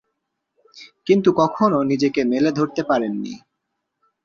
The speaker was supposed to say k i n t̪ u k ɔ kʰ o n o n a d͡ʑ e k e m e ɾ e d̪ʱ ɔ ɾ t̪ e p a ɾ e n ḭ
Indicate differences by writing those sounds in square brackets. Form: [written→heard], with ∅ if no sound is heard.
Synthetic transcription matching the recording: k i n t̪ u k ɔ kʰ o n o n [a→i] d͡ʑ e k e m e [ɾ→l] e d̪ʱ [ɔ→o] ɾ t̪ e p a ɾ e [n→nː] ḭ